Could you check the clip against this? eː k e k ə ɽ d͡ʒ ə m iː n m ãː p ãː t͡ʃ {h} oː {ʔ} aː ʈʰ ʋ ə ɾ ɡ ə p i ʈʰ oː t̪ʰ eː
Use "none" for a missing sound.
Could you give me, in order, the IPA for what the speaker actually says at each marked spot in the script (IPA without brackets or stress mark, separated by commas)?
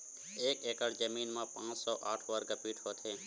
s, ʔ